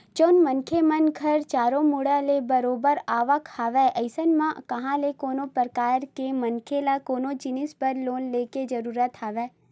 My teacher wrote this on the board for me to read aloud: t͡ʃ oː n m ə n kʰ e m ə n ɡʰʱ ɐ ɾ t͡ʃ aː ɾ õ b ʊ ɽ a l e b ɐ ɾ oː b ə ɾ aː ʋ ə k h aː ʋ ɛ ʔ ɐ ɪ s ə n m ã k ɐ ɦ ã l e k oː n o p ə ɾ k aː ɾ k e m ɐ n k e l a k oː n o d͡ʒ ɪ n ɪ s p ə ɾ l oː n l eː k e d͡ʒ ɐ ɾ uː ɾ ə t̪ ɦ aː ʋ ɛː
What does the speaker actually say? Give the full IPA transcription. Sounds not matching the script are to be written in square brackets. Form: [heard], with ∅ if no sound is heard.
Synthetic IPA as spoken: t͡ʃ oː n m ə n kʰ e m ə n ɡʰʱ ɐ ɾ t͡ʃ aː ɾ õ [m] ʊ ɽ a l e b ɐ ɾ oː b ə ɾ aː ʋ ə k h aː ʋ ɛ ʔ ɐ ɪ s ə n m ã k ɐ ɦ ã l e k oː n o p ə ɾ k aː ɾ k e m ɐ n [kʰ] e l a k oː n o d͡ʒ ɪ n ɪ s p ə ɾ l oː n l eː k e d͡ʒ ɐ ɾ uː ɾ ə t̪ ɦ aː ʋ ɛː

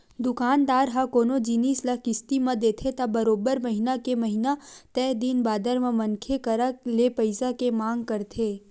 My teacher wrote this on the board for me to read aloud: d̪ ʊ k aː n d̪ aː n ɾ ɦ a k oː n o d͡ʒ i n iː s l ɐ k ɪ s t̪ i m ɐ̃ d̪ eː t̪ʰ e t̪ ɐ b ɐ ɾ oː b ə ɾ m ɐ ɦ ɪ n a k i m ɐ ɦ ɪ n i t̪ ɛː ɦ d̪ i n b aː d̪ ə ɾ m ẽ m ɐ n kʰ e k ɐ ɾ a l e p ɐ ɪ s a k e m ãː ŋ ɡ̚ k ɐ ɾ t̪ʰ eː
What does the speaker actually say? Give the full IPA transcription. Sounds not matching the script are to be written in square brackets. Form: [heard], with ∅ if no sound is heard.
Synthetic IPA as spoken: d̪ ʊ k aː n d̪ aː [∅] ɾ ɦ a k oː n o d͡ʒ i n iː s l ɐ k ɪ s t̪ i m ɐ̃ d̪ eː t̪ʰ e t̪ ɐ b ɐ ɾ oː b ə ɾ m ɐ ɦ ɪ n a k [e] m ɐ ɦ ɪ n [a] t̪ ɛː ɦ d̪ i n b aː d̪ ə ɾ m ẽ m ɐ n kʰ e k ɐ ɾ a l e p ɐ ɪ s a k e m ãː ŋ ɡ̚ k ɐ ɾ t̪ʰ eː

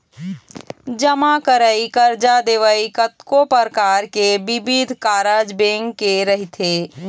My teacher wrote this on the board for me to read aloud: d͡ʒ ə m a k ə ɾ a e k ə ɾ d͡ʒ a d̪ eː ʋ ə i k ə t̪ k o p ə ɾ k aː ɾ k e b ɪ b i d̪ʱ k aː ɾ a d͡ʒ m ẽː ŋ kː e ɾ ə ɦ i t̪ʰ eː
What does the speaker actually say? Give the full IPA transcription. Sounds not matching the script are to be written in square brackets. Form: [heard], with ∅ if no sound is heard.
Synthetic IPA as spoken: d͡ʒ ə m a k ə ɾ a [i] k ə ɾ d͡ʒ a d̪ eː ʋ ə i k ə t̪ k o p ə ɾ k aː ɾ k e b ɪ b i d̪ʱ k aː ɾ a d͡ʒ [b] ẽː ŋ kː e ɾ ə ɦ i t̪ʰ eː

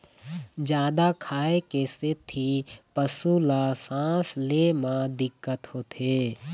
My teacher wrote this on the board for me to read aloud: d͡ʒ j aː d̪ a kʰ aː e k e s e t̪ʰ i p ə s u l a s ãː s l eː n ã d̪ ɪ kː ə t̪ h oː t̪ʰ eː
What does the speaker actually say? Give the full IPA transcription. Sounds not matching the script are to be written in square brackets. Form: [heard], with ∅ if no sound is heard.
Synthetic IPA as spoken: d͡ʒ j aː d̪ a kʰ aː e k e s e t̪ʰ i p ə s u l a s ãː s l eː [m] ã d̪ ɪ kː ə t̪ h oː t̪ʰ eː

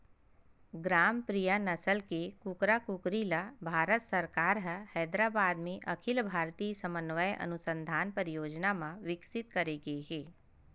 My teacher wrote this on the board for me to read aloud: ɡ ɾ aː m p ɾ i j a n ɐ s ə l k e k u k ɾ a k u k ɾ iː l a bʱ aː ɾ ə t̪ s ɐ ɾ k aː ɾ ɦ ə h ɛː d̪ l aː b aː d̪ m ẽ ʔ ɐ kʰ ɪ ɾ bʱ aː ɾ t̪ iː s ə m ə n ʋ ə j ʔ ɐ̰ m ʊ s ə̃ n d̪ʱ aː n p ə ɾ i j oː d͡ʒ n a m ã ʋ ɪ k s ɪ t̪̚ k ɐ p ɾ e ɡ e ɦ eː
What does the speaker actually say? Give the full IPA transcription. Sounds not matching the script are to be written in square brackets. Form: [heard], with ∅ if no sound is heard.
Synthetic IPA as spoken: ɡ ɾ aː m p ɾ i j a n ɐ s ə l k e k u k ɾ a k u k ɾ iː l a bʱ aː ɾ ə t̪ s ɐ ɾ k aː ɾ ɦ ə h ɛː d̪ [ɾ] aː b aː d̪ m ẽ ʔ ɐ kʰ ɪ [l] bʱ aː ɾ t̪ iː s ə m ə n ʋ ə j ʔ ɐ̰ [n] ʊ s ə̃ n d̪ʱ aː n p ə ɾ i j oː d͡ʒ n a m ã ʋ ɪ k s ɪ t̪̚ k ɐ [∅] ɾ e ɡ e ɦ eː

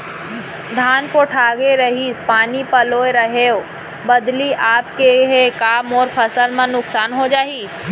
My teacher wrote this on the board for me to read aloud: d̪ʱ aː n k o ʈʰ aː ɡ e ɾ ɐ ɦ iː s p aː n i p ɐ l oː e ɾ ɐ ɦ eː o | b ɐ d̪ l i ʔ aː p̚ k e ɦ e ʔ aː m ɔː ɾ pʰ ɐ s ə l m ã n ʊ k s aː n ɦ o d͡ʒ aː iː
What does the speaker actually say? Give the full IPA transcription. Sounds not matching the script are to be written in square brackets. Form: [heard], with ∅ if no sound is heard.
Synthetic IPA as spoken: d̪ʱ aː n k o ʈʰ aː ɡ e ɾ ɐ ɦ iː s p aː n i p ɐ l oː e ɾ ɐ ɦ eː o | b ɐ d̪ l i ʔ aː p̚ k e ɦ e [k] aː m ɔː ɾ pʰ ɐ s ə l m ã n ʊ k s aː n ɦ o d͡ʒ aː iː

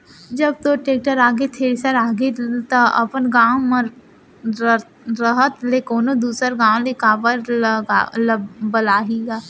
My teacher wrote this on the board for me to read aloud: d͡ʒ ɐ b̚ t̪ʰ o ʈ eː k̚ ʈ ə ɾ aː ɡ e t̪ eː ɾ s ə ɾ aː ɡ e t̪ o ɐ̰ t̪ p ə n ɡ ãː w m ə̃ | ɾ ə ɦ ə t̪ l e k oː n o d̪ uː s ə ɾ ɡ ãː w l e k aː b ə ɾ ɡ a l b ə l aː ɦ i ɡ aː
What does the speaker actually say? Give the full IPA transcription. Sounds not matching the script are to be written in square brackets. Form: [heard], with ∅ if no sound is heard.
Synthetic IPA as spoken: d͡ʒ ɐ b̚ [t̪] o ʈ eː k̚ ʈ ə ɾ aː ɡ e [t̪ʰ] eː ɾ s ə ɾ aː ɡ e t̪ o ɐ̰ [∅] p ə n ɡ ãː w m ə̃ | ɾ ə ɦ ə t̪ l e k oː n o d̪ uː s ə ɾ ɡ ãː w l e k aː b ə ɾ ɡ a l b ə l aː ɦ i ɡ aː

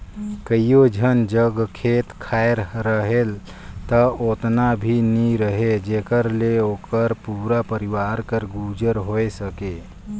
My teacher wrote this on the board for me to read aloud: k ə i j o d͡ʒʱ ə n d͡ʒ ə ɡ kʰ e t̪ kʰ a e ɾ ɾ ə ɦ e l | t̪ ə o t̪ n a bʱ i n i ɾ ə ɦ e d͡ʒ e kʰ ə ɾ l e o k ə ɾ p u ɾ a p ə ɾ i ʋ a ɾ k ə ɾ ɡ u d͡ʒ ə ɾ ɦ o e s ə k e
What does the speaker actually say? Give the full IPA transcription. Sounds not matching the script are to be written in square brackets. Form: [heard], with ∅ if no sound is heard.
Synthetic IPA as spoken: k ə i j o d͡ʒʱ ə n d͡ʒ ə ɡ kʰ e t̪ kʰ a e ɾ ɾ ə ɦ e l | t̪ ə o t̪ n a bʱ i n i ɾ ə ɦ e d͡ʒ e [k] ə ɾ l e o k ə ɾ p u ɾ a p ə ɾ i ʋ a ɾ k ə ɾ ɡ u d͡ʒ ə ɾ ɦ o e s ə k e

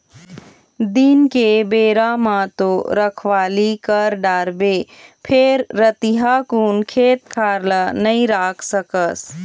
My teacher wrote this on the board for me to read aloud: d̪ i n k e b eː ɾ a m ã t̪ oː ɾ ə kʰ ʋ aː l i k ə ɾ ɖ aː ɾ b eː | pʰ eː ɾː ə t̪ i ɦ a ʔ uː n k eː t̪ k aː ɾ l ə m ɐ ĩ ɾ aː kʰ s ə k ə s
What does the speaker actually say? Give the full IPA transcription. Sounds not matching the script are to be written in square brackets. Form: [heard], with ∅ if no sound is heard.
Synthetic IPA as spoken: d̪ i n k e b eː ɾ a m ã t̪ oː ɾ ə kʰ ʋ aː l i k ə ɾ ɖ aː ɾ b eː | pʰ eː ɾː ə t̪ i ɦ a [k] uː n [kʰ] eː t̪ [kʰ] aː ɾ l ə [n] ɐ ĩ ɾ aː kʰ s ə k ə s

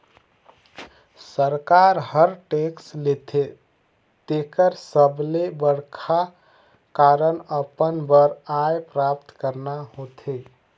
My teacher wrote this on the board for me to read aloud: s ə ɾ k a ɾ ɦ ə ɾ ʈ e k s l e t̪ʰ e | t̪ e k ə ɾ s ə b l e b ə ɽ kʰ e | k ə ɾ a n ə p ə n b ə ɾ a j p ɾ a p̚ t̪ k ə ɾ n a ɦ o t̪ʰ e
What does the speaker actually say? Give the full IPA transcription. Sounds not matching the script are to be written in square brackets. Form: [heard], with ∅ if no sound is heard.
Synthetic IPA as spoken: s ə ɾ k a ɾ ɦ ə ɾ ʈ e k s l e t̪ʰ e | t̪ e k ə ɾ s ə b l e b ə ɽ kʰ [a] | k [a] ɾ [ə] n ə p ə n b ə ɾ a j p ɾ a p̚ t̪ k ə ɾ n a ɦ o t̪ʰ e

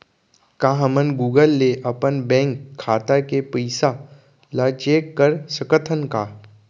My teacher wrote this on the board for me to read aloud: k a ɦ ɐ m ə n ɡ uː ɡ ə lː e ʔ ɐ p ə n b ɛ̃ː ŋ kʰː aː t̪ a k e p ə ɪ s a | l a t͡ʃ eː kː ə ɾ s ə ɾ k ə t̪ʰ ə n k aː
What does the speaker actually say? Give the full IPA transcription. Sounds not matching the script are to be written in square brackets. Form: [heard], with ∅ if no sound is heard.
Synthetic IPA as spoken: k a ɦ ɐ m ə n ɡ uː ɡ ə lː e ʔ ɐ p ə n b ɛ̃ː ŋ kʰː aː t̪ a k e p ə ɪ s a | l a t͡ʃ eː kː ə ɾ s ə [∅] k ə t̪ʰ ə n k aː

